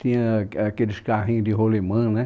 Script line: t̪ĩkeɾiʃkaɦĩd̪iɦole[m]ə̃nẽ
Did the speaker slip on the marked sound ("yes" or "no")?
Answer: no